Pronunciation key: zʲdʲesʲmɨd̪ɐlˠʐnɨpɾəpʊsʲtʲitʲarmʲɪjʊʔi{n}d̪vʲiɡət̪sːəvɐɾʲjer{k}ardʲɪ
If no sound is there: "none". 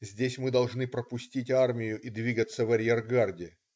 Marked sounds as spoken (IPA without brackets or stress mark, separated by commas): none, ɡ